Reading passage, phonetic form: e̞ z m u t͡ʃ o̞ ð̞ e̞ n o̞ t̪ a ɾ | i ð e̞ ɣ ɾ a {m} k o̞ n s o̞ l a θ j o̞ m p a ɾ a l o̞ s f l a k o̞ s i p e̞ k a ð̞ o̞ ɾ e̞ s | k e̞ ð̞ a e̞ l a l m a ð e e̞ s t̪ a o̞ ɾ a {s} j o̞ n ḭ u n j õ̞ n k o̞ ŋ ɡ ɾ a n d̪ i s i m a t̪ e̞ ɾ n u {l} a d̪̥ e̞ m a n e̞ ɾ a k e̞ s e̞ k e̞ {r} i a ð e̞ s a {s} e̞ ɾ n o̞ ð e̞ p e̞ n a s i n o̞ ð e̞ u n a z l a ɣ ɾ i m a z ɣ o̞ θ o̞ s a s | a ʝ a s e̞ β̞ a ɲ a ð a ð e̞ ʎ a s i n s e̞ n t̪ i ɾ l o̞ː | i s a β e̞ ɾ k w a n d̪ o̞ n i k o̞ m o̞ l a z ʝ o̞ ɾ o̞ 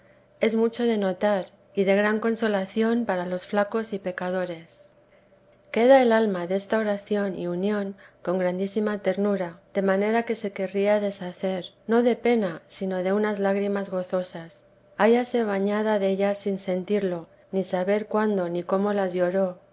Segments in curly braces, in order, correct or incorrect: incorrect: ŋ, incorrect: θ, incorrect: ɾ, correct, incorrect: θ

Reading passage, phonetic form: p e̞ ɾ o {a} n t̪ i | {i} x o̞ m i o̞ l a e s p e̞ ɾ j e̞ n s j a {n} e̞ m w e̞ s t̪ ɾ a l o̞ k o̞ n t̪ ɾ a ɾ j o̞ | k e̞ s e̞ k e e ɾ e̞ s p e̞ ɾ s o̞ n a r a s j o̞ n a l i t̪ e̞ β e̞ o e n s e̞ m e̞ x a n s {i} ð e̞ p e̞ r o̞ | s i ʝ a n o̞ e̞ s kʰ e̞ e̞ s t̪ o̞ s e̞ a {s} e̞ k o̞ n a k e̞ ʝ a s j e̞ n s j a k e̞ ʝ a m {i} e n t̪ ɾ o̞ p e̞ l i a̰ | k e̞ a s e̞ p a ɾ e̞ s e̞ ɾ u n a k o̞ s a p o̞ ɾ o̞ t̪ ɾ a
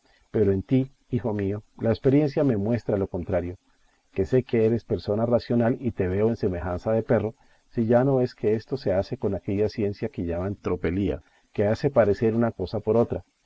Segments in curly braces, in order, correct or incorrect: incorrect: e, correct, incorrect: m, incorrect: a, correct, incorrect: a

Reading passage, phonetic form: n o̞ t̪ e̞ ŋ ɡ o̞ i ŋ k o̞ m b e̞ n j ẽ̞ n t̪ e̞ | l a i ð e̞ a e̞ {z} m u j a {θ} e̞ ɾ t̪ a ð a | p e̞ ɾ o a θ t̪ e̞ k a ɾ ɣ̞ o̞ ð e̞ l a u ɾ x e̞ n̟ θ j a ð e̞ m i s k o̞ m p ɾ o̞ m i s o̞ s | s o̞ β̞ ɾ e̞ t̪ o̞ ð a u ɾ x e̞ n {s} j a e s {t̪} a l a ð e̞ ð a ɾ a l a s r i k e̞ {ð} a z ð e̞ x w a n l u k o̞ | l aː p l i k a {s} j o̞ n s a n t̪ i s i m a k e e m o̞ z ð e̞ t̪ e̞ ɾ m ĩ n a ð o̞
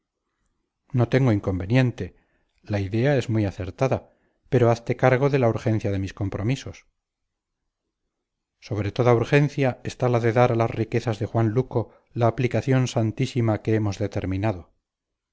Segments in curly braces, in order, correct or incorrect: correct, correct, incorrect: θ, correct, incorrect: θ, incorrect: θ

